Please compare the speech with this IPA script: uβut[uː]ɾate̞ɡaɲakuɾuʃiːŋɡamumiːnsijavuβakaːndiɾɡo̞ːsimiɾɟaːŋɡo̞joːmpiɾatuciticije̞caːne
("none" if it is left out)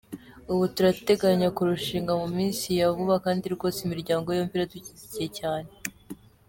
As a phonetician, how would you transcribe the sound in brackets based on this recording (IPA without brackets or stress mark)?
u